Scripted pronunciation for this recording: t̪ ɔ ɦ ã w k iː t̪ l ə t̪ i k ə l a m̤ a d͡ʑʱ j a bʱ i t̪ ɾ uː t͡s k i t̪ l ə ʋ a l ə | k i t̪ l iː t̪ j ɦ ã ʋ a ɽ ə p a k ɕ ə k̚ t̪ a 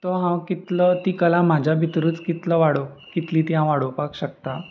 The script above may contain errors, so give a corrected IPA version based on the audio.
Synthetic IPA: t̪ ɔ ɦ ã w k i t̪ l ə t̪ i k ə l a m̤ a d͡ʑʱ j a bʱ i t̪ ɾ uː t͡s k i t̪ l ə ʋ a ɽ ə | k i t̪ l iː t̪ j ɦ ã ʋ a ɽ ə p a k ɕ ə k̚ t̪ a